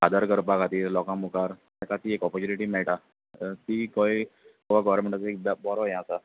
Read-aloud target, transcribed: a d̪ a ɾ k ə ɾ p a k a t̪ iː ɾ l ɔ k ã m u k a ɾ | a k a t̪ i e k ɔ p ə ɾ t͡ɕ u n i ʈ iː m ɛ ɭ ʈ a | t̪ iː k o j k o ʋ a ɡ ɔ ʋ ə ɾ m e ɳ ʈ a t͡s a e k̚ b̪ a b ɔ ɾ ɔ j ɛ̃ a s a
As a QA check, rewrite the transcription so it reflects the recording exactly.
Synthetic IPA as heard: a d̪ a ɾ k ə ɾ p a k a t̪ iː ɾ l ɔ k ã m u k a ɾ | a k a t̪ i e k ɔ p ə ɾ t͡ɕ u n i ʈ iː m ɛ ɭ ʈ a | t̪ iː k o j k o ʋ a ɡ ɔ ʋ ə ɾ m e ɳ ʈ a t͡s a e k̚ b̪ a b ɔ ɾ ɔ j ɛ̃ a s a